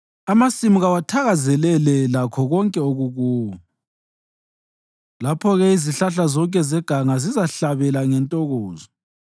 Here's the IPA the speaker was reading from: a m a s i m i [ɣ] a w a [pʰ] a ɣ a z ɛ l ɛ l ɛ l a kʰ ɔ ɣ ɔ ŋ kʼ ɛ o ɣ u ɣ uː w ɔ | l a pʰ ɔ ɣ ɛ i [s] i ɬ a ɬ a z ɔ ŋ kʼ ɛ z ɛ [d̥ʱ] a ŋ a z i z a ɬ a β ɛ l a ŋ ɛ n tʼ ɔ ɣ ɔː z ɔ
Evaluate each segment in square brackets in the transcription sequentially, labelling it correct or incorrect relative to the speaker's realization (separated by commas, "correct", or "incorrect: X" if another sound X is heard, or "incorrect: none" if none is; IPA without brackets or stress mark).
correct, incorrect: tʰ, incorrect: z, incorrect: ɡ̥ʱ